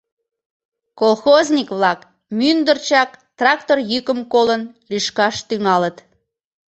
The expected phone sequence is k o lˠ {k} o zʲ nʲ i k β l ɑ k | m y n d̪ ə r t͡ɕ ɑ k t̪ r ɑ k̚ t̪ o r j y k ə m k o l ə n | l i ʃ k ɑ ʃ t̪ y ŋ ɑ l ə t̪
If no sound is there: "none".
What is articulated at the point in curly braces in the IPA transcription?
x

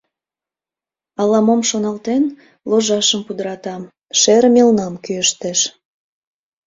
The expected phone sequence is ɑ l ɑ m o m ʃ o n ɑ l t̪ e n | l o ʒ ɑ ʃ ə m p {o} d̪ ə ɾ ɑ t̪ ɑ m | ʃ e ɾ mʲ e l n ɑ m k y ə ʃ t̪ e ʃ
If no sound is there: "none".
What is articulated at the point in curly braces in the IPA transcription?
u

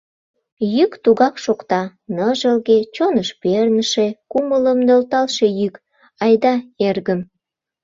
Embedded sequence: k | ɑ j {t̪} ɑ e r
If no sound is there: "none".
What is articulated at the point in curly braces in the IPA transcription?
d̪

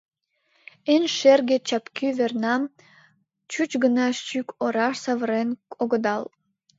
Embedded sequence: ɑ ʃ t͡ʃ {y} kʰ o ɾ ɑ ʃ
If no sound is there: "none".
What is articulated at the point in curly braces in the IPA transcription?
y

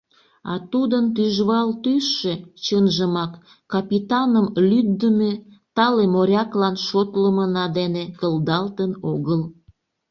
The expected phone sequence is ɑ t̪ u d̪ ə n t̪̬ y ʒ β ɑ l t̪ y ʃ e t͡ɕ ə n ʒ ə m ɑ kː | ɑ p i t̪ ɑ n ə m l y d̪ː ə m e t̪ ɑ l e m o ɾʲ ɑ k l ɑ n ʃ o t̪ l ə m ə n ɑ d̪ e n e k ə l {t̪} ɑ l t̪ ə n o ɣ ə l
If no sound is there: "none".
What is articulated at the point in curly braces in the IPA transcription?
d̪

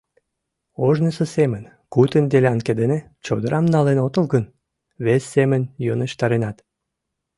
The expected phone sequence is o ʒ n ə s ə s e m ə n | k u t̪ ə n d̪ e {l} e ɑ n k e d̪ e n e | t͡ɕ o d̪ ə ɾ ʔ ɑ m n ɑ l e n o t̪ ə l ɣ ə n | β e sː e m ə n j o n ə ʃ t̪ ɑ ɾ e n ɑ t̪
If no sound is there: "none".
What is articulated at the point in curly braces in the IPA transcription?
l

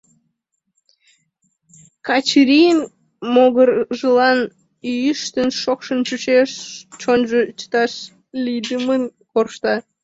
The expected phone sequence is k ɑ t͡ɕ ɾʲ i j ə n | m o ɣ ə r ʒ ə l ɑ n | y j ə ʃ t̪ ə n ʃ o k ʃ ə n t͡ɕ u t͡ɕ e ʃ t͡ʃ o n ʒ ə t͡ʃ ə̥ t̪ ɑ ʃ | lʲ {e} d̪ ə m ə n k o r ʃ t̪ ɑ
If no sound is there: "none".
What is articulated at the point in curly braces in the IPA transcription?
i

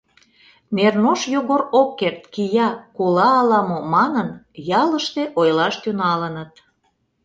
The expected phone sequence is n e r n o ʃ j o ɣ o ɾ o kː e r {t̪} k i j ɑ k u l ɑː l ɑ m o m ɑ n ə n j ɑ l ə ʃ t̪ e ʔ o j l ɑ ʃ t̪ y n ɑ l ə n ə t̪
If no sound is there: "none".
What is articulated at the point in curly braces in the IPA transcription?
t̪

